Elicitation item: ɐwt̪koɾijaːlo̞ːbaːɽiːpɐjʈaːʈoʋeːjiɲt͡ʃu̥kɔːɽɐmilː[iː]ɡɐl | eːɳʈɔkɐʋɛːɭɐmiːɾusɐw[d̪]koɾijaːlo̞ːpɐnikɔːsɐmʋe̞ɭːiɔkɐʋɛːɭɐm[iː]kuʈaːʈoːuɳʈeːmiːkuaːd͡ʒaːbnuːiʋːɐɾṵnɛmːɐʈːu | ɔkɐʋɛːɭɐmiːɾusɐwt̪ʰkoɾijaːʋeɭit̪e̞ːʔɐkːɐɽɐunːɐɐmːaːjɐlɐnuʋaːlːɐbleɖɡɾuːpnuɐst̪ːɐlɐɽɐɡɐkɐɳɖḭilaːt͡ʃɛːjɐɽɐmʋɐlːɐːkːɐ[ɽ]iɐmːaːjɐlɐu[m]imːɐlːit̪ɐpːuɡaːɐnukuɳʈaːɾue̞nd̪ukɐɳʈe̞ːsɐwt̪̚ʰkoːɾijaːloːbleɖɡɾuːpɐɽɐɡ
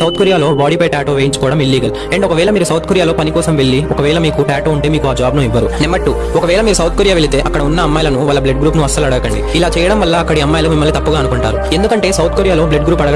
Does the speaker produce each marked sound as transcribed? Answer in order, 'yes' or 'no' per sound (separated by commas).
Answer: yes, no, yes, yes, yes